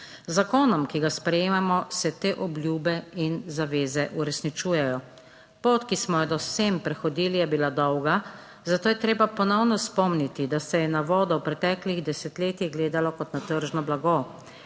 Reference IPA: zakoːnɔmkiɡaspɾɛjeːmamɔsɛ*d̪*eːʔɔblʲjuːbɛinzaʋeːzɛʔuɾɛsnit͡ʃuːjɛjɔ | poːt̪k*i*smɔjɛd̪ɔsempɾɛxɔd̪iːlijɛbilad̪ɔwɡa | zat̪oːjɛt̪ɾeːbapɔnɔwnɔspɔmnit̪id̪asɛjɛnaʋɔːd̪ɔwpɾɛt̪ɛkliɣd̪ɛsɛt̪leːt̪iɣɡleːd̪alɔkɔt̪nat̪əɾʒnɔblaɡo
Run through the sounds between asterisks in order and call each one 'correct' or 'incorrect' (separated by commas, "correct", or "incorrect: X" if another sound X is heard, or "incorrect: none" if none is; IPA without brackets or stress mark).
incorrect: t̪, correct